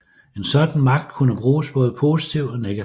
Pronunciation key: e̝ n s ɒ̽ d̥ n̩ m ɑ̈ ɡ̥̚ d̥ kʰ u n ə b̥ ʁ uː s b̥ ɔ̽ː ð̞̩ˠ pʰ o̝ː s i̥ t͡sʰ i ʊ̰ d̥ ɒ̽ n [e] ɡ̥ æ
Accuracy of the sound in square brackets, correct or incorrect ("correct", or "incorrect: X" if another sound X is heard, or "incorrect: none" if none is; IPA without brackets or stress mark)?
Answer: correct